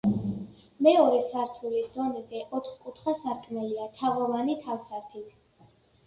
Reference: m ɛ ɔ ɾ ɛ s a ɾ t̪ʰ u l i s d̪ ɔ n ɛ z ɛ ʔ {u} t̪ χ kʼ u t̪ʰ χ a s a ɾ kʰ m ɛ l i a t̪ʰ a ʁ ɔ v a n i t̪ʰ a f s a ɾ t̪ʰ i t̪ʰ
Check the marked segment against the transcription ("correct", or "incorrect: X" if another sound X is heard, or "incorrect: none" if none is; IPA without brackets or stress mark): incorrect: ɔ